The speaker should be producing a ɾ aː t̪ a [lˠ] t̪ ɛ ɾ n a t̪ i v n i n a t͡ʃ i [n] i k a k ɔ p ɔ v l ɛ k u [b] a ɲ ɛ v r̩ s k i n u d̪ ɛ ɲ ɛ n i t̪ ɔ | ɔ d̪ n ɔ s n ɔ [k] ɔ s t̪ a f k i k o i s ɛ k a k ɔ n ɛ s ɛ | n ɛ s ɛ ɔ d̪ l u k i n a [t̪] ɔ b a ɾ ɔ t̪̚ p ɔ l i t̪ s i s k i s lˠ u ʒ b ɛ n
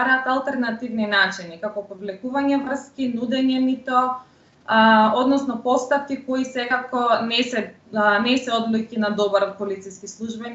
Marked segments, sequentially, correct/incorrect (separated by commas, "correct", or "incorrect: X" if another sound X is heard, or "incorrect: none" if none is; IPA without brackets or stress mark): correct, correct, incorrect: v, incorrect: p, incorrect: d̪